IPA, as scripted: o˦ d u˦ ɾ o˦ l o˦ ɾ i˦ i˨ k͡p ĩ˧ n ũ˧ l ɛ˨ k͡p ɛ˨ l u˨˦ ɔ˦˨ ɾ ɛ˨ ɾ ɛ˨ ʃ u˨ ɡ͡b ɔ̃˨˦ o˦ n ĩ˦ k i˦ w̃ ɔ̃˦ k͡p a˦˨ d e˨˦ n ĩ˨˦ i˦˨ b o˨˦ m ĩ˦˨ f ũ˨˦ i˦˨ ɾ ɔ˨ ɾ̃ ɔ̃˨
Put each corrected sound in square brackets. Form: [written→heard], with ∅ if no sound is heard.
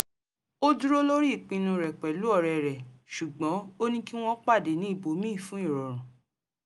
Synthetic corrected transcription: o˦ d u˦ ɾ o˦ l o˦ ɾ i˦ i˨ k͡p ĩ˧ n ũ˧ [l→ɾ] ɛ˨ k͡p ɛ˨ l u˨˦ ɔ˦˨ ɾ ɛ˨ ɾ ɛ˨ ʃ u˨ ɡ͡b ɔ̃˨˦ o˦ n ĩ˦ k i˦ w̃ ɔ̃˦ k͡p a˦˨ d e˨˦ n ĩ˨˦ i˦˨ b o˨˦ m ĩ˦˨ f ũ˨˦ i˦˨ ɾ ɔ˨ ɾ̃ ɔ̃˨